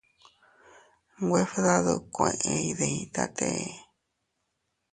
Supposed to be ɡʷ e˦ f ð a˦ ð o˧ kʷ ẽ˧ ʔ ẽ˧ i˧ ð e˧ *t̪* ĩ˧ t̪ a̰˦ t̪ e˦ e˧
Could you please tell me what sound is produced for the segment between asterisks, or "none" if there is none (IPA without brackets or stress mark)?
none